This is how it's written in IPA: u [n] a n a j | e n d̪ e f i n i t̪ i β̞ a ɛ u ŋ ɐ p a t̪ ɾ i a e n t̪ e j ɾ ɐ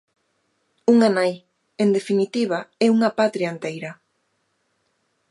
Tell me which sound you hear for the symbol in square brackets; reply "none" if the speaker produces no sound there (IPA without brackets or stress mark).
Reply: ŋ